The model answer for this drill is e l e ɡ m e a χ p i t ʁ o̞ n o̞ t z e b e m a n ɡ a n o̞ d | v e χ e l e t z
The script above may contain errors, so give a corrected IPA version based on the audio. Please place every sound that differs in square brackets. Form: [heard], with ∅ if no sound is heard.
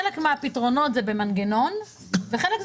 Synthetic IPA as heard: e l e [k] m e a [∅] p i t ʁ o̞ n o̞ t z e b e m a n ɡ [e] n o̞ [n] | v e χ e l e [k] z